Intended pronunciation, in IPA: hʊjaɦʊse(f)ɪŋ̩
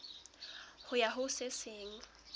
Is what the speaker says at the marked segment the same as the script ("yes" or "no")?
no